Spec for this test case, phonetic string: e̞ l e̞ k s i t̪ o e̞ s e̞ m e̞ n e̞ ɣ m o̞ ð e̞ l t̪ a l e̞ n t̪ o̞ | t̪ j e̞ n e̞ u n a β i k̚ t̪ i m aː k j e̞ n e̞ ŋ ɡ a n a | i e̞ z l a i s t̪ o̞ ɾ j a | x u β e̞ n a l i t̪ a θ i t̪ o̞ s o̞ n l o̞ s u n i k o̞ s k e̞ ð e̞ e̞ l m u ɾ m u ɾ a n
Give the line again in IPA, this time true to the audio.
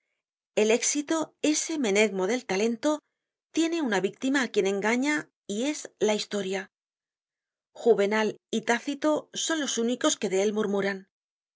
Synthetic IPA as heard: e̞ l e̞ k s i t̪ o e̞ s e̞ m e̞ n e̞ ɣ m o̞ ð e̞ l t̪ a l e̞ n t̪ o̞ | t̪ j e̞ n e̞ u n a β i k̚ t̪ i m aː k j e̞ n e̞ ŋ ɡ a ɲ a | i e̞ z l a i s t̪ o̞ ɾ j a | x u β e̞ n a l i t̪ a θ i t̪ o̞ s o̞ n l o̞ s u n i k o̞ s k e̞ ð e̞ e̞ l m u ɾ m u ɾ a n